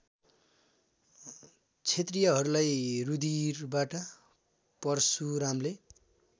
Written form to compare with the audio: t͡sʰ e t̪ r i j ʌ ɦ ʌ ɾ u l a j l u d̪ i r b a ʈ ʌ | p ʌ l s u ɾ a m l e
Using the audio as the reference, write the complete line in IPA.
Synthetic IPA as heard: t͡sʰ e t̪ r i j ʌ ɦ ʌ ɾ u l a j r u d̪ i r b a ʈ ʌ | p ʌ r s u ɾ a m l e